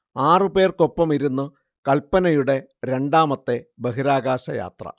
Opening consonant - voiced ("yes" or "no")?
yes